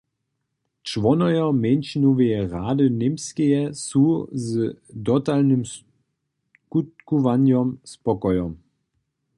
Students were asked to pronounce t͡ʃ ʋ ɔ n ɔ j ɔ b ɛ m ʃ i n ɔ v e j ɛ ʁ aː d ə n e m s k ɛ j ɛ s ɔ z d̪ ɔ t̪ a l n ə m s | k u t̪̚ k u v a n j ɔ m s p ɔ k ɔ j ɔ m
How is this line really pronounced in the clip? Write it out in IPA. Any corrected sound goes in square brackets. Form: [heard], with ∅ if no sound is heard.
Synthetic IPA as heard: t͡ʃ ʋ ɔ n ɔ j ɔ [m] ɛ [n] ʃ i n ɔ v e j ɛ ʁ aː d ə n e m s k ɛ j ɛ s [u] z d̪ ɔ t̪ a l n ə m s | k u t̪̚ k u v a n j ɔ m s p ɔ k ɔ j ɔ m